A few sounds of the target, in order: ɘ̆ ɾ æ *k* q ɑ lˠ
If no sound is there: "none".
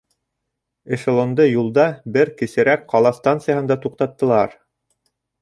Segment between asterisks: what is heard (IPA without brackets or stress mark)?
k